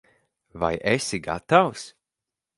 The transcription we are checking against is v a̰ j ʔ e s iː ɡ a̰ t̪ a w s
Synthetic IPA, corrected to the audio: v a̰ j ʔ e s i ɡ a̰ t̪ a w s